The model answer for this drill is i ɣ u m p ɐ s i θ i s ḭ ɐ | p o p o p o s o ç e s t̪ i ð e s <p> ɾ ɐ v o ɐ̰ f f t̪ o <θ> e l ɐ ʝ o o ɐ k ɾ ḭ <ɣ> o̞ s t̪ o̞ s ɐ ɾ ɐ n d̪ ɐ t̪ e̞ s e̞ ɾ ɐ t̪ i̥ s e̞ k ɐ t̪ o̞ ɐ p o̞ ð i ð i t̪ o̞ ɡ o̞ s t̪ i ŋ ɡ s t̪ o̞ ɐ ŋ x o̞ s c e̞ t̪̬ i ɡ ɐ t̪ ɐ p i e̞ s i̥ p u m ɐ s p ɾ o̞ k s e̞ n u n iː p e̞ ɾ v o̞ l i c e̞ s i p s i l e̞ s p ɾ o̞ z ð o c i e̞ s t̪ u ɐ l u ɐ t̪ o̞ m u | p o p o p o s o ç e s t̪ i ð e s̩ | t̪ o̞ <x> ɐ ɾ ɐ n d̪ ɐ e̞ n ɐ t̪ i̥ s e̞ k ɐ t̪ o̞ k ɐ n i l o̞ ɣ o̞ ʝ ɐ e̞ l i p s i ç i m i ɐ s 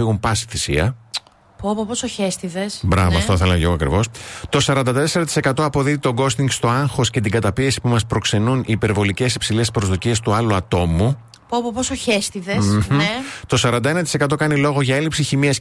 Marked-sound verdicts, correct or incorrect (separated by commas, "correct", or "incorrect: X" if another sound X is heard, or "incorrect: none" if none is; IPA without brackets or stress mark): incorrect: b, correct, incorrect: v, incorrect: s